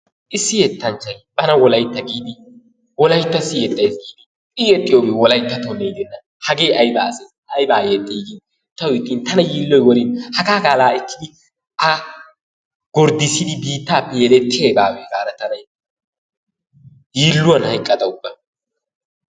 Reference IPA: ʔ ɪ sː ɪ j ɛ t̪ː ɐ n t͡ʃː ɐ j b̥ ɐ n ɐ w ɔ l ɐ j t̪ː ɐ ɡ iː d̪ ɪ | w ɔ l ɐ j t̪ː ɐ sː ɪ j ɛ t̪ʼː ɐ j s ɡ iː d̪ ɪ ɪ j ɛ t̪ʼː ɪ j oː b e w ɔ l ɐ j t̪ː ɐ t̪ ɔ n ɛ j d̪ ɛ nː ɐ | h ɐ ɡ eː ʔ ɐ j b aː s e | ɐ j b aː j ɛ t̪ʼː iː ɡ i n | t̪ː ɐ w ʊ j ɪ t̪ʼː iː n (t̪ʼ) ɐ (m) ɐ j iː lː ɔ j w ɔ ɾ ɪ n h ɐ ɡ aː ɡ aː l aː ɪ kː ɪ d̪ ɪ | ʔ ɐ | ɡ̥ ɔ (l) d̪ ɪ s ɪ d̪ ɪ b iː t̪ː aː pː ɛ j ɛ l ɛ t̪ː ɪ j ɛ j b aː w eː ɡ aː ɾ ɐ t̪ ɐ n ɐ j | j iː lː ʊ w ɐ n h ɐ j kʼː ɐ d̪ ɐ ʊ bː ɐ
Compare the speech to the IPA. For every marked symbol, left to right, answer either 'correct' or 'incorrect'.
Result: incorrect, incorrect, incorrect

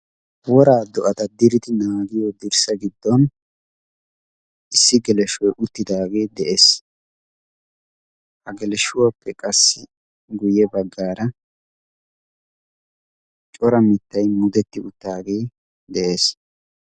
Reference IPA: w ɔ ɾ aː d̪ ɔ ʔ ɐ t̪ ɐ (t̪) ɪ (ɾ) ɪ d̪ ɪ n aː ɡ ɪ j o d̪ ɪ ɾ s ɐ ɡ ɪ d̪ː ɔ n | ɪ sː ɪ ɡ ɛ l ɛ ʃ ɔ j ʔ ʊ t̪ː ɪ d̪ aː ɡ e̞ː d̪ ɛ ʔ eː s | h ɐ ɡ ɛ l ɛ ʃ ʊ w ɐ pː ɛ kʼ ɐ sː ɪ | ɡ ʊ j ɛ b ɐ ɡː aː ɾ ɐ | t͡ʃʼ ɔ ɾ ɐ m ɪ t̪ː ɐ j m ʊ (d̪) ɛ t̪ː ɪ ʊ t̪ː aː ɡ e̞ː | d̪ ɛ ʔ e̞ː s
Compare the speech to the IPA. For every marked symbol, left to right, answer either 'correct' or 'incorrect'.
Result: incorrect, correct, correct

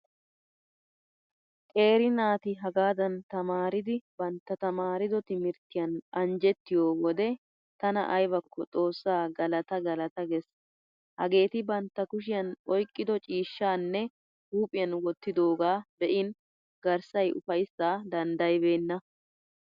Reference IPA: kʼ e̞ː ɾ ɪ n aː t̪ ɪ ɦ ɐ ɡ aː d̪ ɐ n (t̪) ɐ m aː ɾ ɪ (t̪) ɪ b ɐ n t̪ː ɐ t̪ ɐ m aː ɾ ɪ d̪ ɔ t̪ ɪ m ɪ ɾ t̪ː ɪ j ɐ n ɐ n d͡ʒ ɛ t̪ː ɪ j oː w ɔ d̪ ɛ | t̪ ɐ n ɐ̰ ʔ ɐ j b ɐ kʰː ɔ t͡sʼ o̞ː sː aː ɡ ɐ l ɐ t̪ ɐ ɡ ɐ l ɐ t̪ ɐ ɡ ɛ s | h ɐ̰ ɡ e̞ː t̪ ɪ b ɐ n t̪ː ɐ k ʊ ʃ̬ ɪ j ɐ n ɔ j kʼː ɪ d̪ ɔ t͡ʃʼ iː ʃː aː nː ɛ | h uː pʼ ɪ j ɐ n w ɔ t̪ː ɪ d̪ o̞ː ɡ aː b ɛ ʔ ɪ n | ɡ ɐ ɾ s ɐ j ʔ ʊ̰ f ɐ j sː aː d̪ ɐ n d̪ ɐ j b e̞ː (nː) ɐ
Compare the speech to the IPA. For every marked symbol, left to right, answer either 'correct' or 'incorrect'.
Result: correct, incorrect, correct

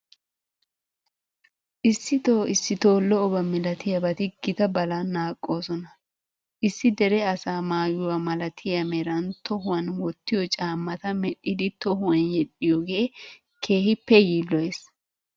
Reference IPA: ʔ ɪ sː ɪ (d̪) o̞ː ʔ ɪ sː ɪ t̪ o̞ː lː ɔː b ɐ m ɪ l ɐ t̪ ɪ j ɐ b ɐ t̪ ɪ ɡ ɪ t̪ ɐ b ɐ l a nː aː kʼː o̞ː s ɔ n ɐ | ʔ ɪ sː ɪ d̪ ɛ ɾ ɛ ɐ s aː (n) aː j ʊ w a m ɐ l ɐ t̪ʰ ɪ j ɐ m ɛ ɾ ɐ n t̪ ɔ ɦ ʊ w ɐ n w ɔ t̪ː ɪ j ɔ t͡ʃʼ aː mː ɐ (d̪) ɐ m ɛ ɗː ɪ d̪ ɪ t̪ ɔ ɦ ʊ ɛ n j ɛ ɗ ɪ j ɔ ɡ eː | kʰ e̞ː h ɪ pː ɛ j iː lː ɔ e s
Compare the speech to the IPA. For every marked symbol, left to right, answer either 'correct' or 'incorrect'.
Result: incorrect, incorrect, incorrect

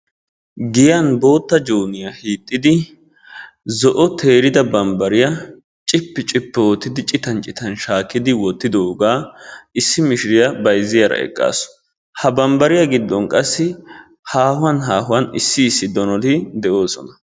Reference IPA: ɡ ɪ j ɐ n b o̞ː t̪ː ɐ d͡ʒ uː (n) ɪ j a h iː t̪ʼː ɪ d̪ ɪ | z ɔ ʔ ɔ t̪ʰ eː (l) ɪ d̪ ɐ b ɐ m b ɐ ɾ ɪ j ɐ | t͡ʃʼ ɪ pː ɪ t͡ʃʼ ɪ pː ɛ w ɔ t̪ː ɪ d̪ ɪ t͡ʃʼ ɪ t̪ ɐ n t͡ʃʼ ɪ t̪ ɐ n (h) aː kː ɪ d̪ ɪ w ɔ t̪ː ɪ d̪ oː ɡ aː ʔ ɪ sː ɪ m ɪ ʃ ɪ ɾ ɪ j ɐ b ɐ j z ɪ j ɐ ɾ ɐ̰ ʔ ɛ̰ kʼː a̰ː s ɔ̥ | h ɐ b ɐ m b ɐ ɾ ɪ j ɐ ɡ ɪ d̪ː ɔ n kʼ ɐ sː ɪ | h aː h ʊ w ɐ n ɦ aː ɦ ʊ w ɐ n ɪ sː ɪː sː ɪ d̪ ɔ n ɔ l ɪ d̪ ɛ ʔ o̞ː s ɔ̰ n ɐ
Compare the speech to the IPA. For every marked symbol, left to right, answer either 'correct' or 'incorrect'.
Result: correct, incorrect, incorrect

